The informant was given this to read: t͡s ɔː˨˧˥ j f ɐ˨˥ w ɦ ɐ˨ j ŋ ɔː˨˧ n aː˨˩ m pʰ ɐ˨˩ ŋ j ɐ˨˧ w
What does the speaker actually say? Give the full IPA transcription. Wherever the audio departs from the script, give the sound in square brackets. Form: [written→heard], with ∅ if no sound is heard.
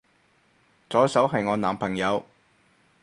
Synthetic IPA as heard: t͡s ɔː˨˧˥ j [f→s] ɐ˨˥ w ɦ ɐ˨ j ŋ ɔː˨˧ n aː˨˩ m pʰ ɐ˨˩ ŋ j ɐ˨˧ w